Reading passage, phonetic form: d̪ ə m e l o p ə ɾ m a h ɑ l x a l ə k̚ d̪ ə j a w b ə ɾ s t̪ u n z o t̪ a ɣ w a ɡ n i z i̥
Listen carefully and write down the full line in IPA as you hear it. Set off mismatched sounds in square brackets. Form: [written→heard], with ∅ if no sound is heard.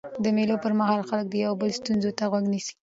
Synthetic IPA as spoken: d̪ ə m e l o p ə ɾ m a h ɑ l x a l ə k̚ d̪ ə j a w b ə [ɾ→l] s t̪ u n z o t̪ a ɣ w a ɡ n i [z→s] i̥